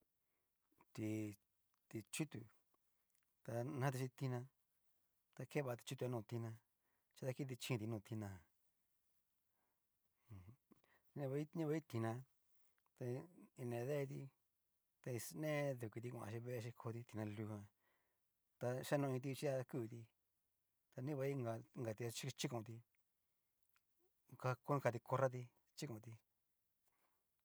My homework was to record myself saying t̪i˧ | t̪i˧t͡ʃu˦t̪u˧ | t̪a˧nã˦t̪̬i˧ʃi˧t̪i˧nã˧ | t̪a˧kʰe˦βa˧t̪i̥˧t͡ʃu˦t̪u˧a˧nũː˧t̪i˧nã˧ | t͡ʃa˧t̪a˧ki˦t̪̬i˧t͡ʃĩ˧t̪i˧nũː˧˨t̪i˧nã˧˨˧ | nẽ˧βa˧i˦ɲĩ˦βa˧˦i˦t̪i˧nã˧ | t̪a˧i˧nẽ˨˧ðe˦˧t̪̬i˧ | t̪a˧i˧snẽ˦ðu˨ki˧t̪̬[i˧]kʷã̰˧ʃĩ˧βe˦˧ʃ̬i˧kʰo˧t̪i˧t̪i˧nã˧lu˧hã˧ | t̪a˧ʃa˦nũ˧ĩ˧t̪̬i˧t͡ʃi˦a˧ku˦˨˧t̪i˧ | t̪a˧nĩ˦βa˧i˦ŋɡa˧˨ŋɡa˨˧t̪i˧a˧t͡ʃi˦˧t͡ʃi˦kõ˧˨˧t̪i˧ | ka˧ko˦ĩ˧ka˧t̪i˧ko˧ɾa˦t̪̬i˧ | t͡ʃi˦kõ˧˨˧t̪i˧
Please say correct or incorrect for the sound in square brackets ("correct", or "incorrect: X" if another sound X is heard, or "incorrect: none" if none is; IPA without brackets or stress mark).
correct